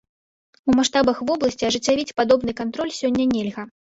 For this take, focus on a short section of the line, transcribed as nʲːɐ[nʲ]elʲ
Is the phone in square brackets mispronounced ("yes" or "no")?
no